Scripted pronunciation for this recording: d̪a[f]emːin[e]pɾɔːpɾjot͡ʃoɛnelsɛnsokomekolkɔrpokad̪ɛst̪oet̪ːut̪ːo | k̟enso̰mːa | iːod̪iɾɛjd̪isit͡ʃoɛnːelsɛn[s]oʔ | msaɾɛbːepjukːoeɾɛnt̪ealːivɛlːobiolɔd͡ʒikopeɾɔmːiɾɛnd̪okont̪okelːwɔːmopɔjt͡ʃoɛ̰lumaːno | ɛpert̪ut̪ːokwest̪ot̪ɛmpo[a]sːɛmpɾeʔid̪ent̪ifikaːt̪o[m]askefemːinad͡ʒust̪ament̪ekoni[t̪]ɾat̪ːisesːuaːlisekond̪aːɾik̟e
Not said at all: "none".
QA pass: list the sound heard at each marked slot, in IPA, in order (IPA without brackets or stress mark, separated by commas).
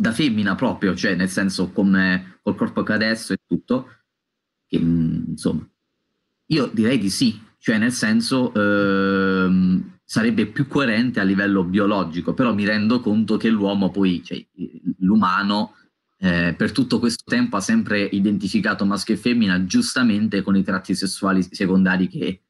f, a, s, a, m, t̪